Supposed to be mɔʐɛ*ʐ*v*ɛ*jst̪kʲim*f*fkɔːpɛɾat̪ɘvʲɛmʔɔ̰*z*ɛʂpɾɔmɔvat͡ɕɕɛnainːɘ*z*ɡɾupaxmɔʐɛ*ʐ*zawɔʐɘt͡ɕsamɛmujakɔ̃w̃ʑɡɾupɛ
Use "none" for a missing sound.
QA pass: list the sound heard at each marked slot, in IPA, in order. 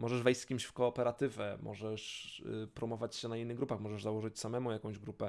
ʐ, ɛ, ɕ, ʐ, ɣ, ʐ

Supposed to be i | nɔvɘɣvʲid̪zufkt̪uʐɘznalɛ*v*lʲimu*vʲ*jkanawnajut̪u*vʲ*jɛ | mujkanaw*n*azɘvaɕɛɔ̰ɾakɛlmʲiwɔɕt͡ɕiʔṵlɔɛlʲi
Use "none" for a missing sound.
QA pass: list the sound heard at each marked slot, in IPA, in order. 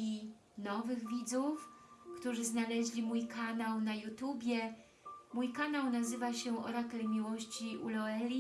ʑ, none, bʲ, n

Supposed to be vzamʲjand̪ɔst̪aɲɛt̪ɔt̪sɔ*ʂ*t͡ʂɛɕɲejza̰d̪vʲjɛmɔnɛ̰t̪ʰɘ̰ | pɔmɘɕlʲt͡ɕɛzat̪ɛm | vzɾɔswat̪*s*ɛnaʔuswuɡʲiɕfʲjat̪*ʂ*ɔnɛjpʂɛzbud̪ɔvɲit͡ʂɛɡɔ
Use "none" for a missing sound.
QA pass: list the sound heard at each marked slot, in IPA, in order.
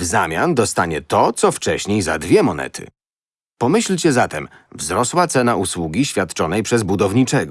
f, s, t͡ʂ

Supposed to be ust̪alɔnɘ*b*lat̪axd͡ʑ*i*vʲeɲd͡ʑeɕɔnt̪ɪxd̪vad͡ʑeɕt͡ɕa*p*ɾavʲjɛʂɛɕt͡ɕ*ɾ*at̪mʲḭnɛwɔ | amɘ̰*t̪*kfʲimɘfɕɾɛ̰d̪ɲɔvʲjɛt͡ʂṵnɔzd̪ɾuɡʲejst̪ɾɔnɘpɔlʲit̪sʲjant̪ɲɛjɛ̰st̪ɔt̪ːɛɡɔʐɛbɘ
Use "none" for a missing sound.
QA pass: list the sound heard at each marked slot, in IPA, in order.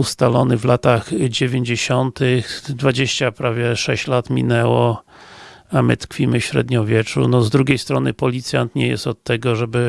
v, e, p, l, t̪

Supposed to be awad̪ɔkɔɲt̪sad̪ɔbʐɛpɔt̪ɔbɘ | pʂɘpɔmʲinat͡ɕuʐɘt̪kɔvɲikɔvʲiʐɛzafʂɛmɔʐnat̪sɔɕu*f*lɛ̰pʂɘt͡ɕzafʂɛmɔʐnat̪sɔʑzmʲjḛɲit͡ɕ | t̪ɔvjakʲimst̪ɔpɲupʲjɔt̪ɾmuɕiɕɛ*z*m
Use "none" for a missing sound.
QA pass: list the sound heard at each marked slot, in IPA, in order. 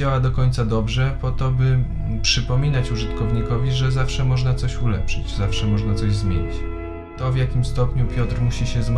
none, z

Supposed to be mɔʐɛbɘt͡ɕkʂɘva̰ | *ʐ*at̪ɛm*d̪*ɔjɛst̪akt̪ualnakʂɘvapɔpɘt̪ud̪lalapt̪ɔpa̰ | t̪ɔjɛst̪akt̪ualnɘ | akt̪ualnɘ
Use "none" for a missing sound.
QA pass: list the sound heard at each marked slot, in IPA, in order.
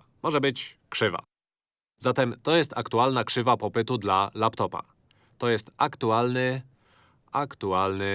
z, t̪

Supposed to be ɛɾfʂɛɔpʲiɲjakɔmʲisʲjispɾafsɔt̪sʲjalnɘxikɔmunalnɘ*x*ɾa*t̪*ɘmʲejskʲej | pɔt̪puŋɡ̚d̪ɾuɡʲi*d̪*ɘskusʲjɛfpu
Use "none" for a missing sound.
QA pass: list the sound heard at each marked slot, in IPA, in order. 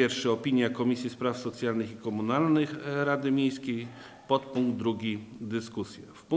x, d̪, d̪

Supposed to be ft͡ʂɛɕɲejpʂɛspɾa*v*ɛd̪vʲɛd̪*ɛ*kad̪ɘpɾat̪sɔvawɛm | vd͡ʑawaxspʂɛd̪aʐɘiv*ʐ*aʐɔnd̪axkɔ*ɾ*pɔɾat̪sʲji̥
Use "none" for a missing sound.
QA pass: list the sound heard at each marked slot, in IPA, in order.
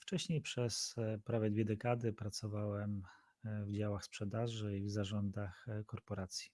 v, ɛ, z, ɾ

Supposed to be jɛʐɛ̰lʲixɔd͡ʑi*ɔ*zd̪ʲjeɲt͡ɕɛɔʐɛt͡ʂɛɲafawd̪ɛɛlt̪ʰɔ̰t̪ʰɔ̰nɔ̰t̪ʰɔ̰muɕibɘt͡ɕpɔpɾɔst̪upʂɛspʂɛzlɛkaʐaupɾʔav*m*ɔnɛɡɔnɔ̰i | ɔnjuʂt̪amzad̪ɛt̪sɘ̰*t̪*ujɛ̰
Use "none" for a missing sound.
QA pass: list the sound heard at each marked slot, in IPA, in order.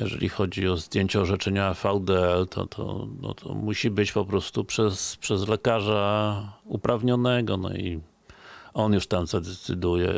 ɔ, ɲ, d̪

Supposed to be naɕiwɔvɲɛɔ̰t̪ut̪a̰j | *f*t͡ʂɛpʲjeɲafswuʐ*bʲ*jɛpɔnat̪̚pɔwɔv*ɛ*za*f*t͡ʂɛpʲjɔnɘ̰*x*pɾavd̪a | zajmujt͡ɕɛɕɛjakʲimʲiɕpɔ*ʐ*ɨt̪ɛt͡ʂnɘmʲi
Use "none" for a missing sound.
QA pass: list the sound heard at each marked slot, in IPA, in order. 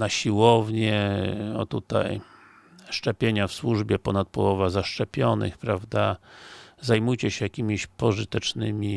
ʂ, bʲ, a, ʂ, x, ʐ

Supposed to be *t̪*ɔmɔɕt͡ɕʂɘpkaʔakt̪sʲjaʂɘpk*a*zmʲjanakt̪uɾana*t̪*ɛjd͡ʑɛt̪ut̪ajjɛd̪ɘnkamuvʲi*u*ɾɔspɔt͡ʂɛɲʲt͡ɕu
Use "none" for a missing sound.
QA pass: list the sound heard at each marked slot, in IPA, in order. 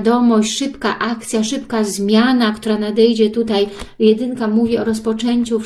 d̪, a, d̪, ɔ

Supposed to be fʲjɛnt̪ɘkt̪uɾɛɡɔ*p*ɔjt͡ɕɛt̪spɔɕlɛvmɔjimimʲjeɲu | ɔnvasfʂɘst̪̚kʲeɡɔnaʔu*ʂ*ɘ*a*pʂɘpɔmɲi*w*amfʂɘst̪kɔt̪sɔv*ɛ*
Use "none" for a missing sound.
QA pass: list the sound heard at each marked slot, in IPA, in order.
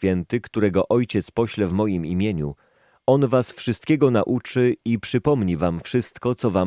ʔ, t͡ʂ, i, v, a

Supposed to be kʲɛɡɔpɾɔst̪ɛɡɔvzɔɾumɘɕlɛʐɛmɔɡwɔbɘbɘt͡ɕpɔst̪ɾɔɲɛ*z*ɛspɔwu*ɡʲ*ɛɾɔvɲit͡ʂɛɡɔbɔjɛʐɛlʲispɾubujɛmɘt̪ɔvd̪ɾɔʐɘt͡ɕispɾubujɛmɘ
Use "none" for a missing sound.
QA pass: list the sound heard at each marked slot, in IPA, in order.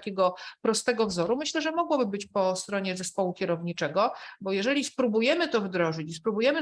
z, kʲ

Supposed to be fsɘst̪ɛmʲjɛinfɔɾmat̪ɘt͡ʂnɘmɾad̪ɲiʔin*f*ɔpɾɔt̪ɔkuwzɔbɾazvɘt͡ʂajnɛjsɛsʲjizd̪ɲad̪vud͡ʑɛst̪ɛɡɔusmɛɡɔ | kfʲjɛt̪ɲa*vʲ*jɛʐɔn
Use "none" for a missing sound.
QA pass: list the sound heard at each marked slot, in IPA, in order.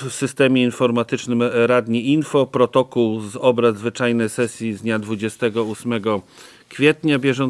f, bʲ

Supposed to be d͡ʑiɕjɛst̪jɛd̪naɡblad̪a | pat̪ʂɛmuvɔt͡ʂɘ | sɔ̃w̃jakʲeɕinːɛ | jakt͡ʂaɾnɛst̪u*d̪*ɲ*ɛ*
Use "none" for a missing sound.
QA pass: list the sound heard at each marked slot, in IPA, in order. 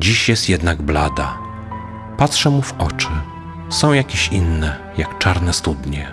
d̪, ɛ

